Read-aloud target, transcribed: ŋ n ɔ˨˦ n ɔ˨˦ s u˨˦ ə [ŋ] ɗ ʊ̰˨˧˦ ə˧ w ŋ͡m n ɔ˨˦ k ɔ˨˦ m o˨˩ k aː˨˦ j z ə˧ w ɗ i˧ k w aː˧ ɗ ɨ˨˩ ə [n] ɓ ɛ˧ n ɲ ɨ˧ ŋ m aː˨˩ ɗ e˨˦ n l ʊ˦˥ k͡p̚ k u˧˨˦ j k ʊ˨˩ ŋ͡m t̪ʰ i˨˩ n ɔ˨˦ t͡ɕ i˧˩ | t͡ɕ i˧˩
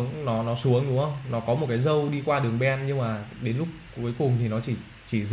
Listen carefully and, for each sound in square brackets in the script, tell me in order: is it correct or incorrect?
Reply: correct, incorrect

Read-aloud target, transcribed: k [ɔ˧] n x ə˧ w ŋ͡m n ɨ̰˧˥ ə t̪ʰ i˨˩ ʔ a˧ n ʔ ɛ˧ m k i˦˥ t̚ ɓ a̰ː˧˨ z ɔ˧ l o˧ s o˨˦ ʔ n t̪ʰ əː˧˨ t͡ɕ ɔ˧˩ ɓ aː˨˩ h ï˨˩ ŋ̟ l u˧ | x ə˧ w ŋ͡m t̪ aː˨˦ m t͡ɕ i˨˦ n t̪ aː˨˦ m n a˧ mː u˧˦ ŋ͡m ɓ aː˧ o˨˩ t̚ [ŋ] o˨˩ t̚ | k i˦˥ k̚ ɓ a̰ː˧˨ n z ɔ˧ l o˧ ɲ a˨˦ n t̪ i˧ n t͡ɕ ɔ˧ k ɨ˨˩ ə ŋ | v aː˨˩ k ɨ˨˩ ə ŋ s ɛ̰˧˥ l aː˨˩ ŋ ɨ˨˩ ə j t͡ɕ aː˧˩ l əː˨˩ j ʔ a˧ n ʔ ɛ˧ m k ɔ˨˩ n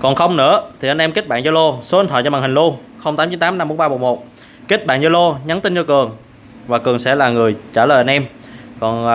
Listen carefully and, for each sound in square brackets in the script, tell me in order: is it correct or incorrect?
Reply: incorrect, incorrect

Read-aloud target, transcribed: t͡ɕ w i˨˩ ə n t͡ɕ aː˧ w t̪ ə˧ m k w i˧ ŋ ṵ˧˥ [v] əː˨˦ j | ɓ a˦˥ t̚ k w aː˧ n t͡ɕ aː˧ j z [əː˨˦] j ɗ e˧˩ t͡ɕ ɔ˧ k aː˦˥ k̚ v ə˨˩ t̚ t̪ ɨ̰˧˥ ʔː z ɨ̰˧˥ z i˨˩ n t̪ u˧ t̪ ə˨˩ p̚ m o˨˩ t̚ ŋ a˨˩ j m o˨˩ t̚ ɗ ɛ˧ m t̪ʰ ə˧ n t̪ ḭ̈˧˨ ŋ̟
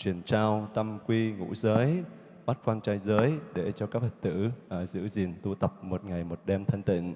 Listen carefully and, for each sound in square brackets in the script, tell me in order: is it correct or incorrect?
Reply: incorrect, correct

